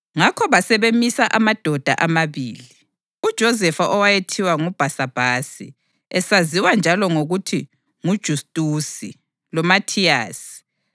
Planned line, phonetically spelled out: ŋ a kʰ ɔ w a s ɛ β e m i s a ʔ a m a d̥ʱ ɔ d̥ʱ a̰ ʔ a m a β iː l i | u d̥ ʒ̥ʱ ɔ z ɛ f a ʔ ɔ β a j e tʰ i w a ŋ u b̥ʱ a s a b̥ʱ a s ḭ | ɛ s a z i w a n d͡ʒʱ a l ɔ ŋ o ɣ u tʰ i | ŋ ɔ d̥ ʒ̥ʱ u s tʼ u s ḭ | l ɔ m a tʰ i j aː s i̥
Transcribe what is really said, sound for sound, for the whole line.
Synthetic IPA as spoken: ŋ a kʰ ɔ β a s ɛ β e m i s a ʔ a m a d̥ʱ ɔ d̥ʱ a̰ ʔ a m a β iː l i | u d̥ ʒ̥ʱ ɔ z ɛ f a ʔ ɔ w a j e tʰ i w a ŋ u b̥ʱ a s a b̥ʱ a s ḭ | ɛ s a z i w a n d͡ʒʱ a l ɔ ŋ o ɣ u tʰ i | ŋ u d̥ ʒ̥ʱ u s tʼ u s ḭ | l ɔ m a tʰ i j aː s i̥

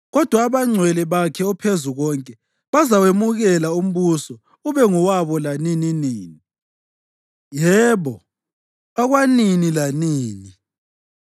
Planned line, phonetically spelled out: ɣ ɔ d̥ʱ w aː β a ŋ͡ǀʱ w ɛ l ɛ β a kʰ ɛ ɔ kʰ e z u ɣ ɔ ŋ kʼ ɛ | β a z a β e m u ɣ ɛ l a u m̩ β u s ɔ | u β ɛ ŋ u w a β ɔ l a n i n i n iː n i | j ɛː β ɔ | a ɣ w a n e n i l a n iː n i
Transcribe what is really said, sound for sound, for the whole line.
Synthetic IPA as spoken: ɣ ɔ d̥ʱ w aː β a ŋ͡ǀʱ w ɛ l ɛ β a kʰ ɛ ɔ pʰ e z u ɣ ɔ ŋ kʼ ɛ | β a z a w e m u ɣ ɛ l a u m̩ β u s ɔ | u β ɛ ŋ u w a β ɔ l a n i n i n iː n i | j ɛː β ɔ | a ɣ w a n i n i l a n iː n i

